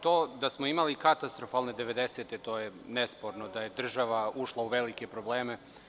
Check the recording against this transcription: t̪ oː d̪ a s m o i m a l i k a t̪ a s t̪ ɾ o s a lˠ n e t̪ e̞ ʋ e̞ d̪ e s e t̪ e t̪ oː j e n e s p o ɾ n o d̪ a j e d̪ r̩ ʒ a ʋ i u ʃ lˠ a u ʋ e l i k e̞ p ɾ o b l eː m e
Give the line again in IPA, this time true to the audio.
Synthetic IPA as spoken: t̪ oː d̪ a s m o i m a l i k a t̪ a s t̪ ɾ o f a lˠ n e d̪ e̞ ʋ e̞ d̪ e s e t̪ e t̪ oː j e n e s p o ɾ n o d̪ a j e d̪ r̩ ʒ a ʋ a u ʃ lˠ a u ʋ e l i k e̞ p ɾ o b l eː m e